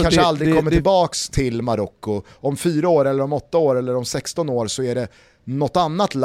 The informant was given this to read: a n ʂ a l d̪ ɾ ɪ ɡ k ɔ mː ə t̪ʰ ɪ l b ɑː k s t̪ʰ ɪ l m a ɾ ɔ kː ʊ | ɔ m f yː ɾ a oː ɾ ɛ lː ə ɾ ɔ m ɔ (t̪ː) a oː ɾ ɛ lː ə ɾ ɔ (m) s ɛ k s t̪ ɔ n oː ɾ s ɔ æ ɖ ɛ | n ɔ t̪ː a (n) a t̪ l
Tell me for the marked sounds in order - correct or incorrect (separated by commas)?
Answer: correct, correct, incorrect